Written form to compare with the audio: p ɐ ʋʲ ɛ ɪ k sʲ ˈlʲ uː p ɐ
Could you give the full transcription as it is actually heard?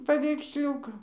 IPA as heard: p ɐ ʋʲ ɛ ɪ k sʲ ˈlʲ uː k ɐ